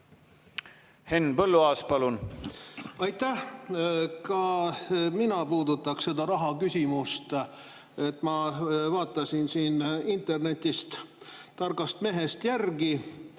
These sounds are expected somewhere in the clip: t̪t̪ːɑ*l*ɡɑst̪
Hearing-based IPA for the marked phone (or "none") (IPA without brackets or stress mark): r